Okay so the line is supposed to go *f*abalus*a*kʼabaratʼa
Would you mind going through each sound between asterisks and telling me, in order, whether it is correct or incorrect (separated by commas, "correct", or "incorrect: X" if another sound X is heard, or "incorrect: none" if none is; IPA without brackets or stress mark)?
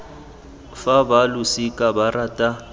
correct, incorrect: i